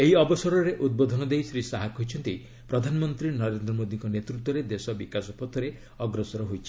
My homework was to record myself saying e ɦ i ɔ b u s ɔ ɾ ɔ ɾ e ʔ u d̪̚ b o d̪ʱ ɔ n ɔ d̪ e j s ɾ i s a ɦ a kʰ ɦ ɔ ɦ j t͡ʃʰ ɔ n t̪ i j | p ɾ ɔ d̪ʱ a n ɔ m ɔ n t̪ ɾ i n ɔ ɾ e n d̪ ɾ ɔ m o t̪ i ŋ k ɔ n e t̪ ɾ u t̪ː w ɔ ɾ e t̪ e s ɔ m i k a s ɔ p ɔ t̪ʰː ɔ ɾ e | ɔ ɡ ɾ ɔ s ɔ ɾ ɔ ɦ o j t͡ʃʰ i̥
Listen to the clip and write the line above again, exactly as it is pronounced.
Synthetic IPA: e ɦ i ɔ b ɔ s ɔ ɾ ɔ ɾ e ʔ u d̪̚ b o d̪ʱ ɔ n ɔ d̪ e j s ɾ i s a ɦ a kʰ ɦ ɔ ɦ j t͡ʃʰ ɔ n t̪ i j | p ɾ ɔ d̪ʱ a n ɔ m ɔ n t̪ ɾ i n ɔ ɾ e n d̪ ɾ ɔ m o d̪ i ŋ k ɔ n e t̪ ɾ u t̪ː w ɔ ɾ e d̪ e s ɔ b i k a s ɔ p ɔ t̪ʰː ɔ ɾ e | ɔ ɡ ɾ ɔ s ɔ ɾ ɔ ɦ o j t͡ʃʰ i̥